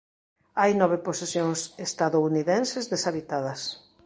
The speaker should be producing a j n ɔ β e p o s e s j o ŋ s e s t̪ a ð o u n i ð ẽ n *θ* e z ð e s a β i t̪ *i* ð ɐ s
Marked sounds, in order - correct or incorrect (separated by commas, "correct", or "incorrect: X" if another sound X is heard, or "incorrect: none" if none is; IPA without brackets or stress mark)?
incorrect: s, incorrect: a